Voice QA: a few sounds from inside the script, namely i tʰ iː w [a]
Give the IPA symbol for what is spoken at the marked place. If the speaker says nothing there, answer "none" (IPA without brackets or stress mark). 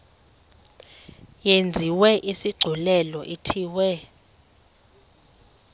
ɛ